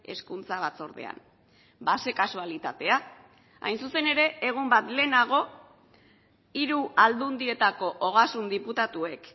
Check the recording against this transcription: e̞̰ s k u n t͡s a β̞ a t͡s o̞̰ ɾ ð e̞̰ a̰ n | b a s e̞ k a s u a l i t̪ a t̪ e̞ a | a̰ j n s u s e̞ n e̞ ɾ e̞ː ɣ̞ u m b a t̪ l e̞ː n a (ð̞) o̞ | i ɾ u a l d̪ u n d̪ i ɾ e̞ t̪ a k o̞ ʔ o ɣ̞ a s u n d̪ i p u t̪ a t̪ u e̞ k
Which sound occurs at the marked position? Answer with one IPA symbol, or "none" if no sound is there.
ɣ̞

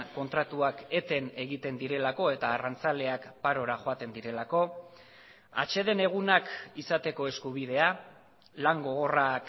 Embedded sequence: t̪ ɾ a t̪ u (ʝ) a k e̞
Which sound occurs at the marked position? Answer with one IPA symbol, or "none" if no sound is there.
none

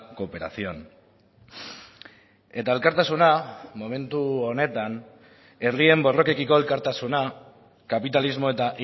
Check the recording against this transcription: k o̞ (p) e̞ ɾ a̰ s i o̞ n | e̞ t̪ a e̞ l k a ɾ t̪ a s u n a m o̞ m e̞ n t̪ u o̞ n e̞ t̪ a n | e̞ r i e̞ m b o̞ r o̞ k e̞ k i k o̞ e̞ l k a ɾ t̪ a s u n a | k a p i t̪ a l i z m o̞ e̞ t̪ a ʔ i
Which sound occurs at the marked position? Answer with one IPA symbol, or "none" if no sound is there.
p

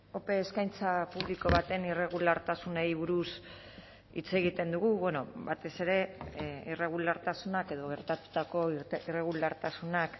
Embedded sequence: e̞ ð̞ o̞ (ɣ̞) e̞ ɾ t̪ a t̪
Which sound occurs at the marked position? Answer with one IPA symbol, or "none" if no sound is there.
ɣ̞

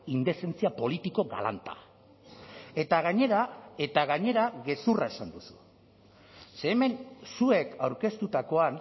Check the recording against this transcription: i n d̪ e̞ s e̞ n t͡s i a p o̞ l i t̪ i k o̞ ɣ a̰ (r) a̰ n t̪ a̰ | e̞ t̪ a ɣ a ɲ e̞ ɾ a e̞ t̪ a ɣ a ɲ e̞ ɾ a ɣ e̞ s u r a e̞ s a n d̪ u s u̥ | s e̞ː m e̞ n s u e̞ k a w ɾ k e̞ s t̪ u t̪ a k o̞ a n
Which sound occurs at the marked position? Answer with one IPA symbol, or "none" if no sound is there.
l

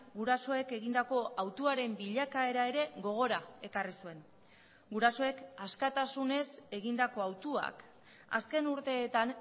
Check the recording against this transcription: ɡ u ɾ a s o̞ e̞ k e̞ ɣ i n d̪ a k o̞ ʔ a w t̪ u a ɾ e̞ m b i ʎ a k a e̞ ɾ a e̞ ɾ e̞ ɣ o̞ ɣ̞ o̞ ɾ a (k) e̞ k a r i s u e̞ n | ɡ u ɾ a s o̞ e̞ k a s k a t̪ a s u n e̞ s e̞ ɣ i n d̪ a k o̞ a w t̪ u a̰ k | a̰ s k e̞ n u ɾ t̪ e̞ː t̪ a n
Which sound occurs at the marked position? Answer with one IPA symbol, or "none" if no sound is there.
none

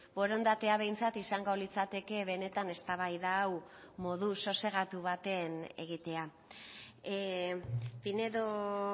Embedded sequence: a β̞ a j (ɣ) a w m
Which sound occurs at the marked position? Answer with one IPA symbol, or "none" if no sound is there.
ð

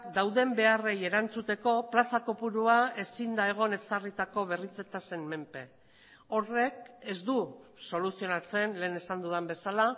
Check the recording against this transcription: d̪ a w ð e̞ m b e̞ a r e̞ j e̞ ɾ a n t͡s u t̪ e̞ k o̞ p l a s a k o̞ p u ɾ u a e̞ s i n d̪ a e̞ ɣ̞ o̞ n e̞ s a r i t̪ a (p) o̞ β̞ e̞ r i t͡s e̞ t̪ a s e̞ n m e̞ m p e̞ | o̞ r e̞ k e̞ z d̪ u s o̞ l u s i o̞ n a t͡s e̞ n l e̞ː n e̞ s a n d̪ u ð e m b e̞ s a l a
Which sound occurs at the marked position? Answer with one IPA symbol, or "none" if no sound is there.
k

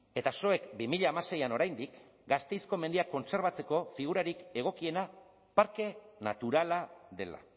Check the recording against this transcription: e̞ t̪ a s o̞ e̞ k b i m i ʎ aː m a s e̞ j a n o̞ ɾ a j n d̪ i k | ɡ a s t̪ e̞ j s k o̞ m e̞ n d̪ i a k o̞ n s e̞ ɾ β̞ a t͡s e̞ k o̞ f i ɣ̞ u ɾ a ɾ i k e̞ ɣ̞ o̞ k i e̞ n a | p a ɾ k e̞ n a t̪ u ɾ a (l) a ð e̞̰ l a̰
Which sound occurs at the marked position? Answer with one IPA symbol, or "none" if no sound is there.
l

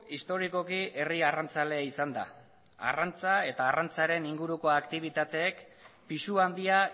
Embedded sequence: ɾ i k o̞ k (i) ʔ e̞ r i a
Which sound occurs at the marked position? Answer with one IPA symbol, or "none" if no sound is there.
i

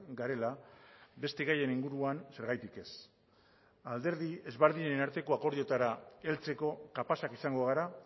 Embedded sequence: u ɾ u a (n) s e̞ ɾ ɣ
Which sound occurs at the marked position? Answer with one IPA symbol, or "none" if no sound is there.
n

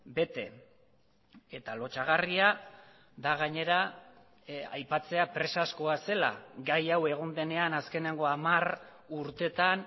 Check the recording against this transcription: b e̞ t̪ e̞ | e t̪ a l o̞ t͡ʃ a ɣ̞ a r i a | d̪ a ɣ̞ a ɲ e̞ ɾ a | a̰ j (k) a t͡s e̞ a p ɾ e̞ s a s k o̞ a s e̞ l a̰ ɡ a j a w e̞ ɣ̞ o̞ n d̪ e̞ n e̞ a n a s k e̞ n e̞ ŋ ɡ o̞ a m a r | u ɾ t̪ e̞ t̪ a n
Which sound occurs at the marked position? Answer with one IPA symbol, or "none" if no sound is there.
p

